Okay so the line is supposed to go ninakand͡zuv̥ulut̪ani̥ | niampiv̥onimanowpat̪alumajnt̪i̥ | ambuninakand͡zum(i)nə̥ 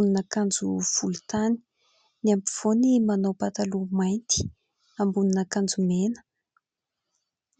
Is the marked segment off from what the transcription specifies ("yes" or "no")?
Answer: yes